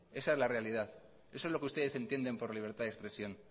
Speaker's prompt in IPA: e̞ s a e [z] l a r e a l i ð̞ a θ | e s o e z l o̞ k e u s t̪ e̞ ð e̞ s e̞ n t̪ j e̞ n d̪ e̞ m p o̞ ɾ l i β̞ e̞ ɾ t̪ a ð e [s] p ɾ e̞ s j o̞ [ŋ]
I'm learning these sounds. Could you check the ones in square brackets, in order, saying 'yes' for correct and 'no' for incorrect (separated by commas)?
yes, yes, no